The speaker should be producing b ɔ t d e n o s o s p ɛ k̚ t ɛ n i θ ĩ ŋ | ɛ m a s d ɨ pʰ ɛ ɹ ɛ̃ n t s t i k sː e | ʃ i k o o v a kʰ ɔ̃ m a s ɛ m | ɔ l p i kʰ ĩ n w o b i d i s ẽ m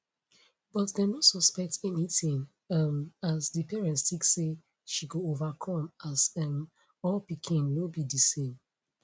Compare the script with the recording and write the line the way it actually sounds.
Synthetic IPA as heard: b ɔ t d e n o s ɔ s p ɛ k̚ t ɛ n i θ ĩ ŋ | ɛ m a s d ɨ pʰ ɛ ɹ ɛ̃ n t s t i k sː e | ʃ i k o o v a kʰ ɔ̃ m a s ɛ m | ɔ l p i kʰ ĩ n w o b i d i s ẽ m